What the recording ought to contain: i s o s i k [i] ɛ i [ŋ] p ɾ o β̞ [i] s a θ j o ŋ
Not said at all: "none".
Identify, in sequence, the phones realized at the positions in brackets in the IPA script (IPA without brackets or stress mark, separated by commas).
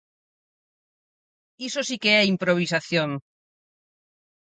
e, m, i